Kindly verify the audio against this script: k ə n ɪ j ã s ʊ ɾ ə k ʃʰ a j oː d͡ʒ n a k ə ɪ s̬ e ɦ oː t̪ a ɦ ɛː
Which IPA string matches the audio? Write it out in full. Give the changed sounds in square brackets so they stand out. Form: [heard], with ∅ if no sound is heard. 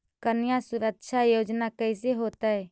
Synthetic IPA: k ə n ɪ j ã s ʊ ɾ ə k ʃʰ a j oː d͡ʒ n a k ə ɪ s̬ e ɦ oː t̪ a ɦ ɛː